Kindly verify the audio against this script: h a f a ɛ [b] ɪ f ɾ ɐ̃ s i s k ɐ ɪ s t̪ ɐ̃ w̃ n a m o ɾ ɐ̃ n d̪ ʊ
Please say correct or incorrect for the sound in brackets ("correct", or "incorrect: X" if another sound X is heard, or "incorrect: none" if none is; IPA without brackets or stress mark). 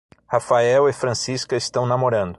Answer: incorrect: w